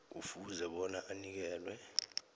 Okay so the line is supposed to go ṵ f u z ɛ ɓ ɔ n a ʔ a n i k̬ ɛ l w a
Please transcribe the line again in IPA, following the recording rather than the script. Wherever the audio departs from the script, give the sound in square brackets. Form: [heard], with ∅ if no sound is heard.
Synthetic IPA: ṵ f u z ɛ ɓ ɔ n a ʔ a n i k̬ [ɛː] l w [ɛ]